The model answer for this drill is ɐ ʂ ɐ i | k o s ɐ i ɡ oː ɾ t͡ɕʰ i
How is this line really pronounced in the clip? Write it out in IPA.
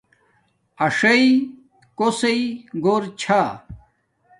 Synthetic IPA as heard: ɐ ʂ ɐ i | k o s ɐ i ɡ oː ɾ t͡ɕʰ a